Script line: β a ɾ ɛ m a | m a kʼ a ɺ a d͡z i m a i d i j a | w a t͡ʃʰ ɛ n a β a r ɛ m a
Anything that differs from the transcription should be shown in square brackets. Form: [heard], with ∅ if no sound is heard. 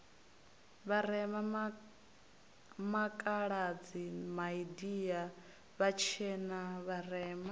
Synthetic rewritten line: β a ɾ ɛ m a | m a kʼ a ɺ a d͡z i m a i d i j a | [β] a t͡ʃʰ ɛ n a β a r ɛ m a